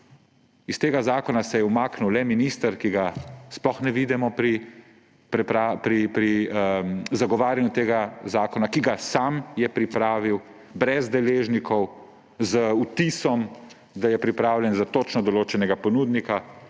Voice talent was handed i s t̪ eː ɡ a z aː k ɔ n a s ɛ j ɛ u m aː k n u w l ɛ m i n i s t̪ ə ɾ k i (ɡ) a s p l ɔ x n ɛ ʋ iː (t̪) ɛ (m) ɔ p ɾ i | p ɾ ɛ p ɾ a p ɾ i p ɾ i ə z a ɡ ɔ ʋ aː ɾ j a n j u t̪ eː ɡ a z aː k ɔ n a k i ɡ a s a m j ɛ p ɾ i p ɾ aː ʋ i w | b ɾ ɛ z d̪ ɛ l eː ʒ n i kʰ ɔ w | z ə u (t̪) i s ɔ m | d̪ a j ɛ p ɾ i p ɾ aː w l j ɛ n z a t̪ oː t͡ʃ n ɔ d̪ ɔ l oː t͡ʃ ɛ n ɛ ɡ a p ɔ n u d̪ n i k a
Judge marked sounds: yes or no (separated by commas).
yes, no, yes, yes